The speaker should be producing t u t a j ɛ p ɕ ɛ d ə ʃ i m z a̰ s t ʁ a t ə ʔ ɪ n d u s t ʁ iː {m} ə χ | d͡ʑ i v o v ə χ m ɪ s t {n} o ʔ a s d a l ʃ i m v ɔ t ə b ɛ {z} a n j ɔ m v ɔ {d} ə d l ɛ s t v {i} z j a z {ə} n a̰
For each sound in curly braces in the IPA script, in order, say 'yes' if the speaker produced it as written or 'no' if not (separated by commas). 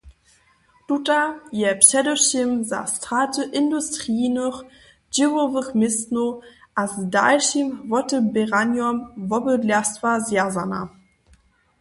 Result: no, yes, no, no, no, no